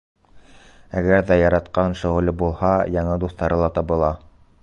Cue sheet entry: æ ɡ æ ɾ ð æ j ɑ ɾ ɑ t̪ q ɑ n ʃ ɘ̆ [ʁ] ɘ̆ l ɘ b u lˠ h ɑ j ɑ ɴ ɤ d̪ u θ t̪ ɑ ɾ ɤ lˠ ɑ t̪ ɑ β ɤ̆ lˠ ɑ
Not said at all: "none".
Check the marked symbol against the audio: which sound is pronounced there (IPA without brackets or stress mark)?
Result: ʁ